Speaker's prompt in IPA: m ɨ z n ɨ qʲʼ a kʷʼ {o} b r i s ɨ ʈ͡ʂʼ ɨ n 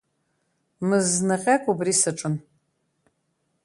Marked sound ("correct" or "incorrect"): incorrect